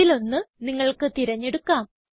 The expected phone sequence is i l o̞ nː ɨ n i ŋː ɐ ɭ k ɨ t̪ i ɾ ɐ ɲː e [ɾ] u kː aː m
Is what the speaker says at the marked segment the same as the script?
no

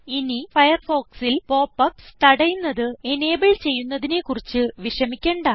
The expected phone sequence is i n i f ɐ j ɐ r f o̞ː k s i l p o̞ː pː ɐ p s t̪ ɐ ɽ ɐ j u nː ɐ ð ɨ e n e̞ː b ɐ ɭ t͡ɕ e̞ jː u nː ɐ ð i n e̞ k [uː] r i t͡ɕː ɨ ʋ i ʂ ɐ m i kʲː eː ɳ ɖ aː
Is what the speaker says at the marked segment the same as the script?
no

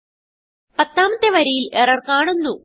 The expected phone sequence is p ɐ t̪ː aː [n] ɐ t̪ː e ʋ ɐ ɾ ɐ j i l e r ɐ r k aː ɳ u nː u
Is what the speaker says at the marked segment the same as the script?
no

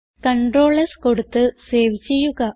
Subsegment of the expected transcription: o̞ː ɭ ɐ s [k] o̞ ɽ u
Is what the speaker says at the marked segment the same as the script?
yes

